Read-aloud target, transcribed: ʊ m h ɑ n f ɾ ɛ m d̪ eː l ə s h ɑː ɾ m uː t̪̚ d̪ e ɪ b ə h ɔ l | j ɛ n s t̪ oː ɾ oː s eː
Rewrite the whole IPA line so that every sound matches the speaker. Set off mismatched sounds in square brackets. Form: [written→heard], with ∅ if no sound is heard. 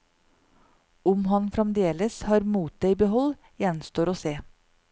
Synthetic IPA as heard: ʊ m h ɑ n f ɾ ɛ m d̪ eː l ə s h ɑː ɾ m uː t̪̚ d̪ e ɪ b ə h ɔ l | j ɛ n s t̪ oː ɾ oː s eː